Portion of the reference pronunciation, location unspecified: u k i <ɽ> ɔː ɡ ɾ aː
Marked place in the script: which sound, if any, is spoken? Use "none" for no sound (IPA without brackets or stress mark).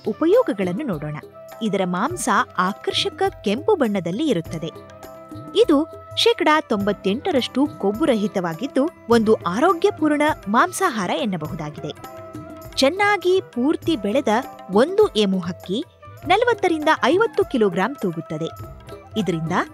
l